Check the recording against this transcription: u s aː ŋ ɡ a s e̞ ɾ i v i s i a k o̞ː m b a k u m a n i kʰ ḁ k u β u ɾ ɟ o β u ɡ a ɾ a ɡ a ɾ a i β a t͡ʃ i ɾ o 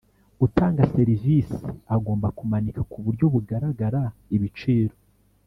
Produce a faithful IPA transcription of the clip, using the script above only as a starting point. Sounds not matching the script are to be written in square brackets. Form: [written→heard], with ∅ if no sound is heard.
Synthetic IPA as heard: u [s→t] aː ŋ ɡ a s e̞ ɾ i v i s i a [k→ɡ] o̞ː m b a k u m a n i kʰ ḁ k u β u ɾ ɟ o β u ɡ a ɾ a ɡ a ɾ a i β [a→i] t͡ʃ i ɾ o